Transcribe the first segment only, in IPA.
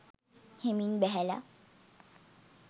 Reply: h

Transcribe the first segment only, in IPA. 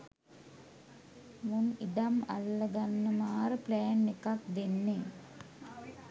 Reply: m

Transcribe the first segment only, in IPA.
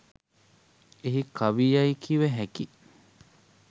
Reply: e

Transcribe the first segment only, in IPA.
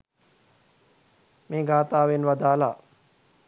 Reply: m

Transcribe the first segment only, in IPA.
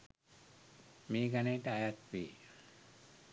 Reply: m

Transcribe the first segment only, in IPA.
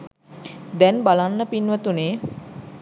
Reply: d̪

